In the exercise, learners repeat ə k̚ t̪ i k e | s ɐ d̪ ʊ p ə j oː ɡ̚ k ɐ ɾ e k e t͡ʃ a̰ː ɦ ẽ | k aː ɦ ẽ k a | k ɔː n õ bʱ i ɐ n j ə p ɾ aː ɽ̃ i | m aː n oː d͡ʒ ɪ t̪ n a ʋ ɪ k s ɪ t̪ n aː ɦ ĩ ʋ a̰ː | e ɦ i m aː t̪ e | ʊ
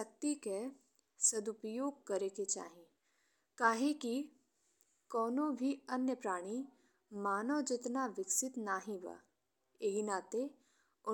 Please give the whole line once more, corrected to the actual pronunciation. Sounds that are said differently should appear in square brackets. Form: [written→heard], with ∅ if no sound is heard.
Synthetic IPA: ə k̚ t̪ i k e | s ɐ d̪ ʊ p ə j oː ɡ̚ k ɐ ɾ e k e t͡ʃ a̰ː ɦ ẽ | k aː ɦ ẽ k [a→i] | k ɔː n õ bʱ i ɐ n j ə p ɾ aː ɽ̃ i | m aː n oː d͡ʒ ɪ t̪ n a ʋ ɪ k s ɪ t̪ n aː ɦ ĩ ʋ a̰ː | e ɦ i [m→n] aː t̪ e | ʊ